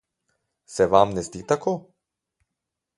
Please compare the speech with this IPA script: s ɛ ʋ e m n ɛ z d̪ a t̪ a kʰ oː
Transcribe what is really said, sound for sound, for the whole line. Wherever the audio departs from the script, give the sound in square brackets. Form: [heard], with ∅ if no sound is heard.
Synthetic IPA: s ɛ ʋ [a] m n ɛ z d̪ [i] t̪ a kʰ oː